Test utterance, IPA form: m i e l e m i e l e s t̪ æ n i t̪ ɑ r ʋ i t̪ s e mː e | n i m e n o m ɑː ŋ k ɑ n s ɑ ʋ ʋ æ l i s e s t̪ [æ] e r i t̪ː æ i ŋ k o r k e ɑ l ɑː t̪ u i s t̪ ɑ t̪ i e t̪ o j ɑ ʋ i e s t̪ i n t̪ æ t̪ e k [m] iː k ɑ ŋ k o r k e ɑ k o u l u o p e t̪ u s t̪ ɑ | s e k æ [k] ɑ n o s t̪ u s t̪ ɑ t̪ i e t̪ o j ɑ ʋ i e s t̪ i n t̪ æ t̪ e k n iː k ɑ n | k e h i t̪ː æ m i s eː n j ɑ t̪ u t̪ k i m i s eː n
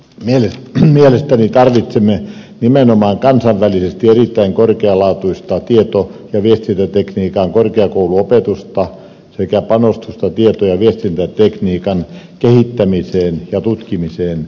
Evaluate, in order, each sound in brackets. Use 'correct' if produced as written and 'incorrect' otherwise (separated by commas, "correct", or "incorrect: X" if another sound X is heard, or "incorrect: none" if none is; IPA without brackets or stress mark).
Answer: incorrect: i, incorrect: n, incorrect: p